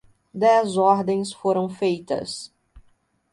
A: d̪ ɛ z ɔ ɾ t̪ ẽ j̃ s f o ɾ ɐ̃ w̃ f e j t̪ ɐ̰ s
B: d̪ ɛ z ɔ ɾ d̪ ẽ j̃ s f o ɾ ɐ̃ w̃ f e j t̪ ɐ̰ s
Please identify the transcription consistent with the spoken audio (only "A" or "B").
B